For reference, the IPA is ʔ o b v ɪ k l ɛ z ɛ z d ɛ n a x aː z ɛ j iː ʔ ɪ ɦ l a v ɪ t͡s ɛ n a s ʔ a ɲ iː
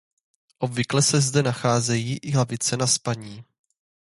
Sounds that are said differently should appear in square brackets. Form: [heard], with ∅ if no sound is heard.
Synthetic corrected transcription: ʔ o b v ɪ k l ɛ [s] ɛ z d ɛ n a x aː z ɛ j iː ʔ ɪ ɦ l a v ɪ t͡s ɛ n a s [p] a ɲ iː